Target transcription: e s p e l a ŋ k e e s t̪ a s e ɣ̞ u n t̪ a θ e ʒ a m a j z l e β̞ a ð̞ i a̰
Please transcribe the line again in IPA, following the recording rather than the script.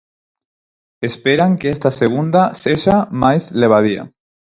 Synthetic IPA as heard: e s p e ɾ a ŋ k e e s t̪ a s e ɣ̞ u n d̪ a s e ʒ a m a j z l e β̞ a ð̞ i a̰